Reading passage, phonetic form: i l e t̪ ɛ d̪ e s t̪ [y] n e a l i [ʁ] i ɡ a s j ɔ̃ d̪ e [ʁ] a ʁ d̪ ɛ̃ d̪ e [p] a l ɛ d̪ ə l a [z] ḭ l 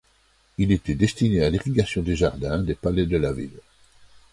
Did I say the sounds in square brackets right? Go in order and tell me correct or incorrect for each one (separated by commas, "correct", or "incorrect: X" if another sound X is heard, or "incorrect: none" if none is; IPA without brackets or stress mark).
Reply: incorrect: i, correct, incorrect: ʒ, correct, incorrect: v